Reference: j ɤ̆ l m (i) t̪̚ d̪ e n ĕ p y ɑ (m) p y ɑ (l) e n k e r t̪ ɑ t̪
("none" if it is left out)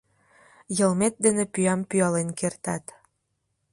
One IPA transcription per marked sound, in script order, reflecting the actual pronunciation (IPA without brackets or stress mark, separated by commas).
e, m, l